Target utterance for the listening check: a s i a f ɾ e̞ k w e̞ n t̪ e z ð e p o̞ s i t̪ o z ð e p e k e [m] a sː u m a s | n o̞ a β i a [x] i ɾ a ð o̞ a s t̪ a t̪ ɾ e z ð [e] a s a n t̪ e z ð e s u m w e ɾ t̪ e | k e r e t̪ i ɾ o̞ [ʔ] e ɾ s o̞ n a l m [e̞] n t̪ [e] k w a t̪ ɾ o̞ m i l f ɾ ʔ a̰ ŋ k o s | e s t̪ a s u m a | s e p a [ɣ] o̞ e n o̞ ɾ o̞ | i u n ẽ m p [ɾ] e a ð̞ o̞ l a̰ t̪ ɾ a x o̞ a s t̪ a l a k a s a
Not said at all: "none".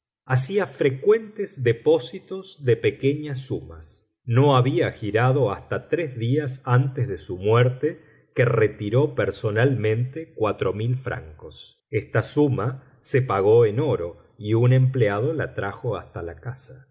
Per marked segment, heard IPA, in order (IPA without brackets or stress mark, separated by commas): ɲ, x, i, p, ẽ̞, e, ɣ, l